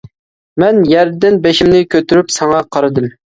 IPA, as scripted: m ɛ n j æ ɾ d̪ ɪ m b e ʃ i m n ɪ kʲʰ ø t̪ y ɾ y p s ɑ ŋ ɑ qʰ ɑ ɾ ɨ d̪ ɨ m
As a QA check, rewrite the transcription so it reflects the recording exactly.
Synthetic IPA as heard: m ɛ n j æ ɾ d̪ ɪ n b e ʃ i m n ɪ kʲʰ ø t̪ y ɾ y p s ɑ ŋ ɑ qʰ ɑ ɾ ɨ d̪ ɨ m